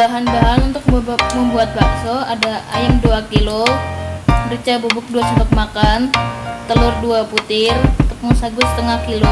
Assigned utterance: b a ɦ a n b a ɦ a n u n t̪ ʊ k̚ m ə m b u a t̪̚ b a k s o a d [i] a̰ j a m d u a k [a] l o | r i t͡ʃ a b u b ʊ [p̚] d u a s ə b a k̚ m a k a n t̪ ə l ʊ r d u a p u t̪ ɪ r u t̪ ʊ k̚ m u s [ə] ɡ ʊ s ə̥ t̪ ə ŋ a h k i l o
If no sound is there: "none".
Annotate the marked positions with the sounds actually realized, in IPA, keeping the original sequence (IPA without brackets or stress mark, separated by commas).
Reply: a, i, k̚, a